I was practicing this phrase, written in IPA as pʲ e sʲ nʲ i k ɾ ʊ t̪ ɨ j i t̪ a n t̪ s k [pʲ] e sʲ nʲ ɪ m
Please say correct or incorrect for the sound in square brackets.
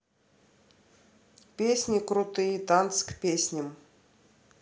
correct